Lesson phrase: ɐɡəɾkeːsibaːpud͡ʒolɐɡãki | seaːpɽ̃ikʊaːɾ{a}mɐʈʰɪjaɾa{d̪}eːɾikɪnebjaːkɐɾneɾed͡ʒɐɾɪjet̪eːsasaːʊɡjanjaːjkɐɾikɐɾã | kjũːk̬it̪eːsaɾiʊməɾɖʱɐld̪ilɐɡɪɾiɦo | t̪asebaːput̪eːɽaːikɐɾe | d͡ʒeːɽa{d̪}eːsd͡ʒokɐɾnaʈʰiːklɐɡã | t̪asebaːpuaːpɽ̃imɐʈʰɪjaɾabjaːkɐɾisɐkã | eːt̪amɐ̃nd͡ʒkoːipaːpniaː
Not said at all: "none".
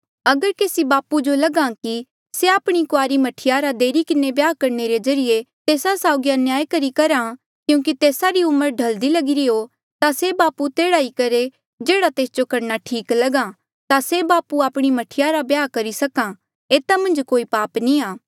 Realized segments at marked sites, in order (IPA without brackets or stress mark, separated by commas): i, d̪, t̪